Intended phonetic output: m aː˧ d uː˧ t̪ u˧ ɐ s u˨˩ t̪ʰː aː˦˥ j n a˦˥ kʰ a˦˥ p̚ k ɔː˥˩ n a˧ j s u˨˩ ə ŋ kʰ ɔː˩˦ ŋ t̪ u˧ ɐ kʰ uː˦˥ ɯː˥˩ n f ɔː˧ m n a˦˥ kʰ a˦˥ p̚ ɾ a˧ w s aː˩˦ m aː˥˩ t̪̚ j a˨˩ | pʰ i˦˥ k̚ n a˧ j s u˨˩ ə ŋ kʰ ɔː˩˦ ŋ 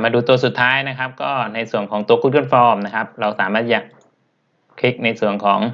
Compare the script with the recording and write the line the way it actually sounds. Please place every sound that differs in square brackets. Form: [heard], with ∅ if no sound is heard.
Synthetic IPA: m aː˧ d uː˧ t̪ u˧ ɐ s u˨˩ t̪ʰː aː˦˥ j n a˦˥ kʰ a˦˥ p̚ k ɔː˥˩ n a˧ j s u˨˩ ə ŋ kʰ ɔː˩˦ ŋ t̪ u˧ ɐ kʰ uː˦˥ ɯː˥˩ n f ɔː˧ m n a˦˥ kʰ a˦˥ p̚ ɾ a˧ w s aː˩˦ m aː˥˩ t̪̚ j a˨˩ | [kʰ] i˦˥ k̚ n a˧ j s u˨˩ ə ŋ kʰ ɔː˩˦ ŋ